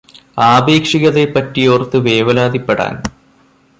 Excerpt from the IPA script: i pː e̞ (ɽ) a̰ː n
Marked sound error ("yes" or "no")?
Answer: no